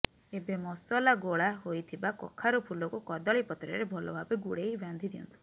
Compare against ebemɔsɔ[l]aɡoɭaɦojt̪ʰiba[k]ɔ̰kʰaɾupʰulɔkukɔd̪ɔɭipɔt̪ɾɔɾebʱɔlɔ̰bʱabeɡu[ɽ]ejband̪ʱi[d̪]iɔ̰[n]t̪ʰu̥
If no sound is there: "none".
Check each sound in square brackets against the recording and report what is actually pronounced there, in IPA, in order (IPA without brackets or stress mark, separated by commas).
l, k, ɽ, d̪, n